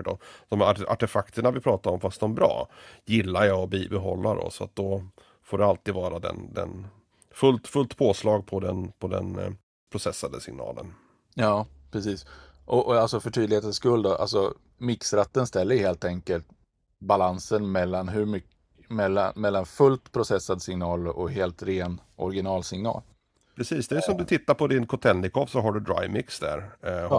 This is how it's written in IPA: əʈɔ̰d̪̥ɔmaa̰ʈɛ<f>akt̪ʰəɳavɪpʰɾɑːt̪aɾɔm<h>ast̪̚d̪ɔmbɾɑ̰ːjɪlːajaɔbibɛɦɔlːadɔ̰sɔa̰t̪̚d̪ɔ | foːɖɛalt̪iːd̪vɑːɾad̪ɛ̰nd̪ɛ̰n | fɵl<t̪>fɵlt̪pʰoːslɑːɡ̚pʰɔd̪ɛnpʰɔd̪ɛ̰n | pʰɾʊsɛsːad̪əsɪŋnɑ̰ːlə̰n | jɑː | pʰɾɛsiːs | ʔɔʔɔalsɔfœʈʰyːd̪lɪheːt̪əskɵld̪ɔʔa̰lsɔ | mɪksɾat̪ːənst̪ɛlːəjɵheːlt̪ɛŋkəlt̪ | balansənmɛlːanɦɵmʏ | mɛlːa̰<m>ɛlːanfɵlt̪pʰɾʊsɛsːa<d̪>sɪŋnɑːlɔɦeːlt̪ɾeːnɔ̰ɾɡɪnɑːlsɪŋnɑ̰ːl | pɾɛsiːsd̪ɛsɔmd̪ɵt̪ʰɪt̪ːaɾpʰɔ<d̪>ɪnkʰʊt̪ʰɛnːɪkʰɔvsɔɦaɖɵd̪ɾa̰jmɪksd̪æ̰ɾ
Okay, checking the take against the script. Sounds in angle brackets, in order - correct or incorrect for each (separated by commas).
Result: correct, incorrect, correct, correct, correct, correct